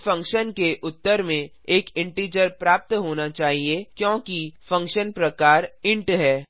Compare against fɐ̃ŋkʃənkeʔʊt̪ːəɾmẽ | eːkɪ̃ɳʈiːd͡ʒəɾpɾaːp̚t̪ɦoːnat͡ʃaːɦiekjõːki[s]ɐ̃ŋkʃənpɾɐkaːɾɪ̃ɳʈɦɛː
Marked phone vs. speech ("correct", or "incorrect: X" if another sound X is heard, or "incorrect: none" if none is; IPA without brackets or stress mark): incorrect: f